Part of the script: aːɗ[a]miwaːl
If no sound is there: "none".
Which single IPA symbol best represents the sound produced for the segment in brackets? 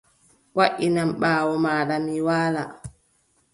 a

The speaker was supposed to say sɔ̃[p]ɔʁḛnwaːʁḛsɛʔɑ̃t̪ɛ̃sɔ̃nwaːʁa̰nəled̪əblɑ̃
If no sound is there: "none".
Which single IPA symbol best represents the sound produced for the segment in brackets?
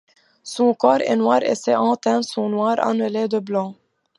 k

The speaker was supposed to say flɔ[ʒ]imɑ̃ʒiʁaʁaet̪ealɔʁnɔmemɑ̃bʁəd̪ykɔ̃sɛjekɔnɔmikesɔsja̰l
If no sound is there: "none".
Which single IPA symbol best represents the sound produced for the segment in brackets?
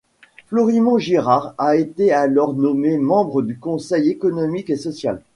ʁ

